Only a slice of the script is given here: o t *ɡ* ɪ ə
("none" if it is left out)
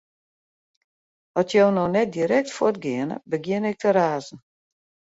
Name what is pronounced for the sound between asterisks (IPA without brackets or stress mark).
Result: ɡ